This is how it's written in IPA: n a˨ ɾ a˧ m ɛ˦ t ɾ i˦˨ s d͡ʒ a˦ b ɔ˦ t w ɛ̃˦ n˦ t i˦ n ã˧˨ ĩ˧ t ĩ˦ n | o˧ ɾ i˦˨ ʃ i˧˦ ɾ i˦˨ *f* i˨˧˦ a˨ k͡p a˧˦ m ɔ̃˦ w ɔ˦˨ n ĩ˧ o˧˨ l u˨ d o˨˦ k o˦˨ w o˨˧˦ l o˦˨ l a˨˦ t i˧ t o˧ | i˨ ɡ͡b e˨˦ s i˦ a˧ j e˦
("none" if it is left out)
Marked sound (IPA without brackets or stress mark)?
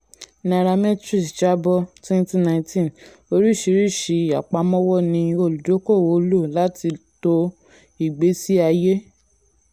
ʃ